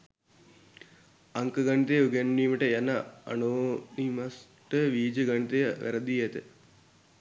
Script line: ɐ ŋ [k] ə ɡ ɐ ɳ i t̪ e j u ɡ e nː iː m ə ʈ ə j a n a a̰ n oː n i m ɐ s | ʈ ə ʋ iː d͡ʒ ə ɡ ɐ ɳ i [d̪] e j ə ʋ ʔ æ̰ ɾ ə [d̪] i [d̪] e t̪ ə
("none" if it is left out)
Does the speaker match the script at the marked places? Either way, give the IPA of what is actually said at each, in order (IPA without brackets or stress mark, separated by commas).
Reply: k, t̪, d̪, none